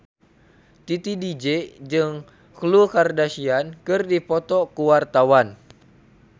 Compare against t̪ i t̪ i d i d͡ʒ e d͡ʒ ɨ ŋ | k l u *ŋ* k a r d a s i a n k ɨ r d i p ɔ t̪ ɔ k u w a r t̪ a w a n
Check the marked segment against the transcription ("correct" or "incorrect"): incorrect